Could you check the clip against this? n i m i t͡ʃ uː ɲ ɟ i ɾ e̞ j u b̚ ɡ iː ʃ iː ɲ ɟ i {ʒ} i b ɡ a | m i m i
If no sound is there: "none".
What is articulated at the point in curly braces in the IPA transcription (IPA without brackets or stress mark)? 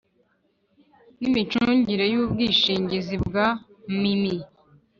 z